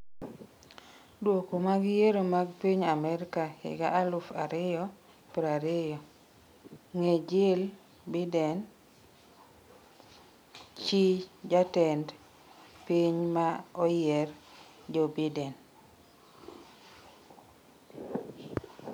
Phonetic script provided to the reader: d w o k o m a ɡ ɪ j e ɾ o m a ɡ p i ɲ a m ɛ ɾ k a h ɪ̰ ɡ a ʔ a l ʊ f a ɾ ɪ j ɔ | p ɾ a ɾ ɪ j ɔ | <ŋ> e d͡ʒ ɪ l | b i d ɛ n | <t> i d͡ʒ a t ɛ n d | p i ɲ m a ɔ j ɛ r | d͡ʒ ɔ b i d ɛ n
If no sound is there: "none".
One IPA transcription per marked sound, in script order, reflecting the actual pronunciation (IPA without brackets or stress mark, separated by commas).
ŋ, t͡ʃ